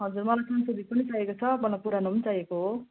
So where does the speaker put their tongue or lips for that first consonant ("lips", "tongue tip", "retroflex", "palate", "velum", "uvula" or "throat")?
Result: throat